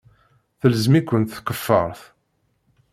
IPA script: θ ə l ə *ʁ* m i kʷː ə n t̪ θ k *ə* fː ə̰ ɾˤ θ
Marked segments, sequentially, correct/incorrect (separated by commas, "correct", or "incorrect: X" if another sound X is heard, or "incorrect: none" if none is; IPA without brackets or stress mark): incorrect: z, correct